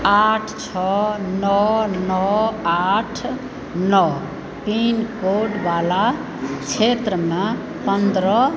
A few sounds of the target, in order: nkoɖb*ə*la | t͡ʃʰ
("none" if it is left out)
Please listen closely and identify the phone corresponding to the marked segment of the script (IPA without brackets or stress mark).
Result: a